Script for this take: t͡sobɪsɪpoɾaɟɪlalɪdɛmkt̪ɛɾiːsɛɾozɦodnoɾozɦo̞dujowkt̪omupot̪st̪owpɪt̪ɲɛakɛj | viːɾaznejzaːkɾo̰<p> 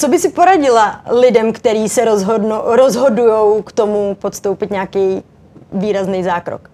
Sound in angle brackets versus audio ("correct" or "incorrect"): incorrect